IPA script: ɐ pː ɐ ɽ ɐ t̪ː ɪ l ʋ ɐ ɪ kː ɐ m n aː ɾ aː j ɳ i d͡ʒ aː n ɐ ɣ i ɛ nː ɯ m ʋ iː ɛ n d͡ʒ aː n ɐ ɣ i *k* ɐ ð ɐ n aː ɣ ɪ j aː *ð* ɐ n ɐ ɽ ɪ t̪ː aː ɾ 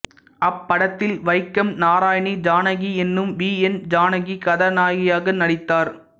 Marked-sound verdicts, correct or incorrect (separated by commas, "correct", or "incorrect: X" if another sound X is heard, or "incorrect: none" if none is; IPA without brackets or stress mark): correct, incorrect: ɣ